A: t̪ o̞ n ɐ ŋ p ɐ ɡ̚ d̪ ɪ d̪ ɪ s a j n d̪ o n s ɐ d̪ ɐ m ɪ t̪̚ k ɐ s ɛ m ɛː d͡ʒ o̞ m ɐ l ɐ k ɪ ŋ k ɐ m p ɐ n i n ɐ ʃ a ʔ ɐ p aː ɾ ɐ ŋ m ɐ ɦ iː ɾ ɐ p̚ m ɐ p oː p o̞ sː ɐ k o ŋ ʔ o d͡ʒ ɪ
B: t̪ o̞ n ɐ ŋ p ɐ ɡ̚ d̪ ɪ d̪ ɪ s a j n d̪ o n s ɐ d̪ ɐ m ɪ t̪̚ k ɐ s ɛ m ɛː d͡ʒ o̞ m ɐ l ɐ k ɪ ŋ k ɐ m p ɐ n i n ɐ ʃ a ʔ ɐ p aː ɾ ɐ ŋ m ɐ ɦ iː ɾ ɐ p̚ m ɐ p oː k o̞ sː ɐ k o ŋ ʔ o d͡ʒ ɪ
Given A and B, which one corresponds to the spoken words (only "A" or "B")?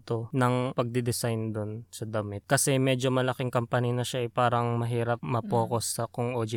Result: B